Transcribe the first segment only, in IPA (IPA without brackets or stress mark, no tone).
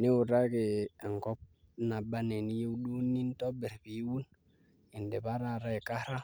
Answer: n